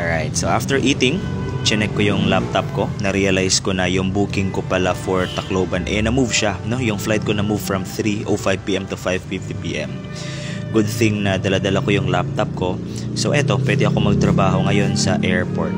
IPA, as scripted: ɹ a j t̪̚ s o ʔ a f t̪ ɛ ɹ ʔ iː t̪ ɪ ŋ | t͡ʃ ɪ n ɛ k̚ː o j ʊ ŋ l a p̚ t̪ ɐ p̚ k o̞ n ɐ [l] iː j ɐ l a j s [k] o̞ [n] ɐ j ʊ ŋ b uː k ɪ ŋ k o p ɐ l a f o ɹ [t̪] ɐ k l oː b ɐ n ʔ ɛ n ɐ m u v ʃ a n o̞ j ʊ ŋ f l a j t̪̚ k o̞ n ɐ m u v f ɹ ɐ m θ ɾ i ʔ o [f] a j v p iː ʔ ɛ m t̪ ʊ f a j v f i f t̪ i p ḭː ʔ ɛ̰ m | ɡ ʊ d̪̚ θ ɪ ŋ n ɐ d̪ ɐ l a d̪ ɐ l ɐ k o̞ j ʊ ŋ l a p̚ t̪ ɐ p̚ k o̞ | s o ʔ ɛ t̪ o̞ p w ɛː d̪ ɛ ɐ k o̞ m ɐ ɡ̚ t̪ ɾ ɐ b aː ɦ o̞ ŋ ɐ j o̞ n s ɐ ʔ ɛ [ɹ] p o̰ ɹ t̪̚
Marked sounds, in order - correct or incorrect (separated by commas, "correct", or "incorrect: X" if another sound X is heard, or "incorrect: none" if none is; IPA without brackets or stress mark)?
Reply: incorrect: ɾ, correct, correct, correct, correct, correct